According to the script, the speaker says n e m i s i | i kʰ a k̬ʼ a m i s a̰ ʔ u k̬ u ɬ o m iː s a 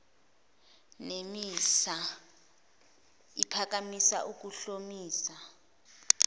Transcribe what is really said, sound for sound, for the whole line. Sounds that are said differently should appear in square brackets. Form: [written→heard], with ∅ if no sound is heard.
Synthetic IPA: n e m i s [i→a] | i [kʰ→pʰ] a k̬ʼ a m i s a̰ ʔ u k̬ u ɬ o m iː s a